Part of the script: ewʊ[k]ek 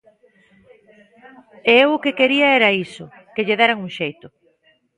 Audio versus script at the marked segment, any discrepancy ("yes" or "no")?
no